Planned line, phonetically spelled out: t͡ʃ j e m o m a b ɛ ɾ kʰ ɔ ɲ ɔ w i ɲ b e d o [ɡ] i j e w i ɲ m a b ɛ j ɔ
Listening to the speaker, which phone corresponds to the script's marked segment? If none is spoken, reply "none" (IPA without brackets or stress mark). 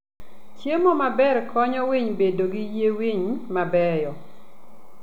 ɡ